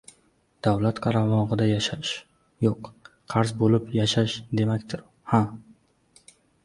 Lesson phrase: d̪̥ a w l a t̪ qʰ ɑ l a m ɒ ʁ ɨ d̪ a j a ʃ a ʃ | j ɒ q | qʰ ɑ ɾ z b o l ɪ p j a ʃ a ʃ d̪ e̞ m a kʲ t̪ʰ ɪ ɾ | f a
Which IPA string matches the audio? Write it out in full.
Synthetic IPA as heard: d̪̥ a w l a t̪ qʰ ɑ ɾ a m ɒ ʁ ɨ d̪ a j a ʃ a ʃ | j o q | qʰ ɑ ɾ z b o l ɪ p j a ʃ a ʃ d̪ e̞ m a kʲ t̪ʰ ɪ ɾ | h a